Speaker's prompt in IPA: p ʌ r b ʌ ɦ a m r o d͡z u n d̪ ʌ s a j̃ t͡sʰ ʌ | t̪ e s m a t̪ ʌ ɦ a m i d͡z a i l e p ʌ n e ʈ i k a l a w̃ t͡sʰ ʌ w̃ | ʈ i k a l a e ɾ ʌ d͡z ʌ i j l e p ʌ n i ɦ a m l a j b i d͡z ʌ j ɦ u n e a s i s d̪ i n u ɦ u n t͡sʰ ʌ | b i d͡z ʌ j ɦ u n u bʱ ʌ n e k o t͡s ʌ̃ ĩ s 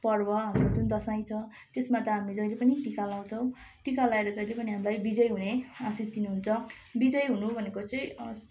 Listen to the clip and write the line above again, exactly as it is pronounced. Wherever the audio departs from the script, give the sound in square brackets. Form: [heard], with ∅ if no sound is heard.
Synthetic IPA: p ʌ r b ʌ ɦ a m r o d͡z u n d̪ ʌ s a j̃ t͡sʰ ʌ | t̪ e s m a t̪ ʌ ɦ a m i d͡z [ʌ] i l e p ʌ n [i] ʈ i k a l a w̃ t͡sʰ ʌ w̃ | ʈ i k a l a e ɾ ʌ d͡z ʌ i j l e p ʌ n i ɦ a m l a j b i d͡z ʌ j ɦ u n e a s i s d̪ i n u ɦ u n t͡sʰ ʌ | b i d͡z ʌ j ɦ u n u bʱ ʌ n e k o t͡s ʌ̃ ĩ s